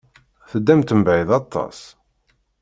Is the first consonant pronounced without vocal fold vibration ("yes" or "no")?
yes